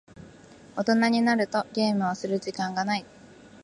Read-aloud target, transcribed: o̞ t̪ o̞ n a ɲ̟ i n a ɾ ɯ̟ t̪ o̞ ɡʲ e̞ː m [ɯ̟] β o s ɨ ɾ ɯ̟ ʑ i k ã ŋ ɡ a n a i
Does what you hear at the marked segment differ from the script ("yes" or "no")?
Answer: no